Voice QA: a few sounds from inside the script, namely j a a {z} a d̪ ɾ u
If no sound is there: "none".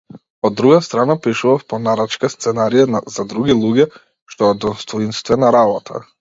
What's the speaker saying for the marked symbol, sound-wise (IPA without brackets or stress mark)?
z